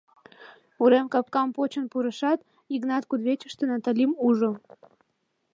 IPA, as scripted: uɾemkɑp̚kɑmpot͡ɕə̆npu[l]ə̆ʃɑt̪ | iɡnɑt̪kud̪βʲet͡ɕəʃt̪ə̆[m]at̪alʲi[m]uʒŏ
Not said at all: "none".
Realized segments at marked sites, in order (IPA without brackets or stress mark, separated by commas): ɾ, n, m